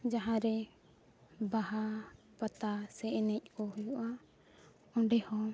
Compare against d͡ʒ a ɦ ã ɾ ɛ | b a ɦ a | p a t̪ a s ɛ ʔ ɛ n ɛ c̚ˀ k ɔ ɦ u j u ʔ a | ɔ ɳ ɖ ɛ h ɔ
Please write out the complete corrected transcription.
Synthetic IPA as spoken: d͡ʒ a ɦ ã ɾ ɛ | b a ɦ a | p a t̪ a s ɛ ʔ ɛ n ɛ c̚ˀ k ɔ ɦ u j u ʔ a | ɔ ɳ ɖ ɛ h ɔ